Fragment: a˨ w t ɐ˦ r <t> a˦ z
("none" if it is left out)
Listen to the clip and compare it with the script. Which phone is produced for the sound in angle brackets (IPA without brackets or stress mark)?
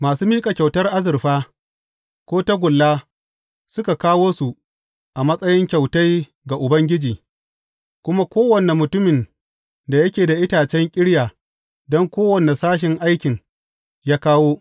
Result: ʔ